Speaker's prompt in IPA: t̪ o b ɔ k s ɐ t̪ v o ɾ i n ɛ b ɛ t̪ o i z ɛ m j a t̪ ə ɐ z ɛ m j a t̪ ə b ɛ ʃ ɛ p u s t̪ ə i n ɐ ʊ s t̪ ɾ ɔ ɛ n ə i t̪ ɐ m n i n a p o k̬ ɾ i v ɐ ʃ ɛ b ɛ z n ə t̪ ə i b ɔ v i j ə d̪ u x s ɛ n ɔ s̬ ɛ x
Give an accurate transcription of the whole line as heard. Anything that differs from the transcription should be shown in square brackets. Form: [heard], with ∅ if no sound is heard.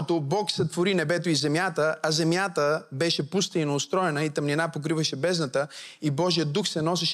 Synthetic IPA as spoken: t̪ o b ɔ k s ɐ t̪ v o ɾ i n ɛ b ɛ t̪ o i z ɛ m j a t̪ ə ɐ z ɛ m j a t̪ ə b ɛ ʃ ɛ p u s t̪ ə i n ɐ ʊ s t̪ ɾ ɔ ɛ n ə i t̪ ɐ m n i n a p o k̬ ɾ i v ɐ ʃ ɛ b ɛ z n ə t̪ ə i b ɔ [ʒ] i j ə d̪ u x s ɛ n ɔ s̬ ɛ [ʃ]